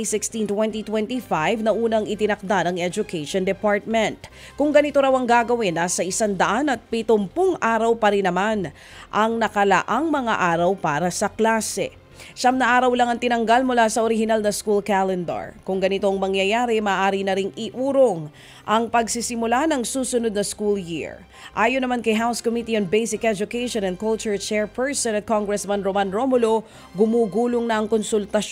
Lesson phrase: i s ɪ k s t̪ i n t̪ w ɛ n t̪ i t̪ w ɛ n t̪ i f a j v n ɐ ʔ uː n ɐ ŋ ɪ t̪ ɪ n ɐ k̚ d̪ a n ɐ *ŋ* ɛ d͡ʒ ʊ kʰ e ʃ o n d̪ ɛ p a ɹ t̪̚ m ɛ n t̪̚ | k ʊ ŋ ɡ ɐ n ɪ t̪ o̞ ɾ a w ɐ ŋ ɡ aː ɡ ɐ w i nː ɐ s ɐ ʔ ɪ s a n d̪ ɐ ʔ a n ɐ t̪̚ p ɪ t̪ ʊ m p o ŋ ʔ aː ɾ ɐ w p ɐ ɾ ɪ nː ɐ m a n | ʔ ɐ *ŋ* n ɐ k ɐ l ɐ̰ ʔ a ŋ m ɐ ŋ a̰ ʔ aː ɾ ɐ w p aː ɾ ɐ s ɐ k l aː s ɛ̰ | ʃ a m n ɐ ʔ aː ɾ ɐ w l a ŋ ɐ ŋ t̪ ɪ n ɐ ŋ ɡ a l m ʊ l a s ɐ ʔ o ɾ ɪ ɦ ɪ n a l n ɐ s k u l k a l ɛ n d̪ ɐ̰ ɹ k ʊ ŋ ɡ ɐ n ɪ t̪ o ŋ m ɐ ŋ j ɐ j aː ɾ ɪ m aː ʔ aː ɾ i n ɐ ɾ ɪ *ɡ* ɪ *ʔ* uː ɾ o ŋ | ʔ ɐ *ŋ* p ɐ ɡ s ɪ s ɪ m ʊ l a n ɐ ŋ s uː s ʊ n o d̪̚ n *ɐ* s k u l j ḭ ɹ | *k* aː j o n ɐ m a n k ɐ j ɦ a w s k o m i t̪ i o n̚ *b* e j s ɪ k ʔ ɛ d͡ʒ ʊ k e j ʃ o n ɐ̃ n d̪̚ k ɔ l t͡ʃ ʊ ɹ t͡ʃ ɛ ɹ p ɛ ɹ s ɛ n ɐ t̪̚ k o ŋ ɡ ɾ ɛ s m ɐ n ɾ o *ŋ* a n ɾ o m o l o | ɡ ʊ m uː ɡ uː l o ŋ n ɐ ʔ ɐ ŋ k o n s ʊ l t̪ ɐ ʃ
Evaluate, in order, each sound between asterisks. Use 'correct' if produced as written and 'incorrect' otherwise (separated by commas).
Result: correct, correct, incorrect, correct, correct, correct, incorrect, correct, incorrect